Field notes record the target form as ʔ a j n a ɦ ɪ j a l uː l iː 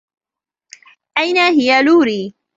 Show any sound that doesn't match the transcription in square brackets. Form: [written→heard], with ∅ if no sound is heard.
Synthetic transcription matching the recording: ʔ a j n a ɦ ɪ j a l uː [l→ɾ] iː